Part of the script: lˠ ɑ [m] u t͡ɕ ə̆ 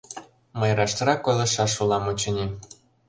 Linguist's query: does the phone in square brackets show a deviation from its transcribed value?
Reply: no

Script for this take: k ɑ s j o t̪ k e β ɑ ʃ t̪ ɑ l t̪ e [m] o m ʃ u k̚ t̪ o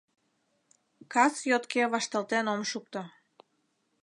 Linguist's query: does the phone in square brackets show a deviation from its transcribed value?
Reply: yes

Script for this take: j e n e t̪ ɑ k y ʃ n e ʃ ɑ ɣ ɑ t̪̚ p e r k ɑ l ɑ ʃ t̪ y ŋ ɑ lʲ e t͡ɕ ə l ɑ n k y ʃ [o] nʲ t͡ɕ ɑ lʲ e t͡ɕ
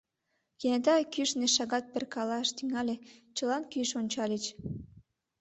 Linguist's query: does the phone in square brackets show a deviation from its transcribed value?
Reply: no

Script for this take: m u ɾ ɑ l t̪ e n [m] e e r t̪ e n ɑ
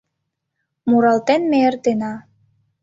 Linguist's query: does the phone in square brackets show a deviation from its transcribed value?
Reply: no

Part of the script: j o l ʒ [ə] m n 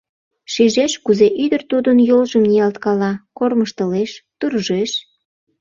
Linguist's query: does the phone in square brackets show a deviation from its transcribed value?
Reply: no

